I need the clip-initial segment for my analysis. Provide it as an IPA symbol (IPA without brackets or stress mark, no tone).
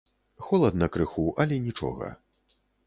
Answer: x